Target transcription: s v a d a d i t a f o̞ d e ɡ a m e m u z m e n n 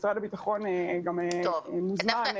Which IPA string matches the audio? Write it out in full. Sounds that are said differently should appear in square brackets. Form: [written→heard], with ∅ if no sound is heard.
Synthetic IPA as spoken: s [v→ʁ] a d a [d→b] i t a [f→χ] o̞ [d→n] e ɡ a m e m u z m [e→a] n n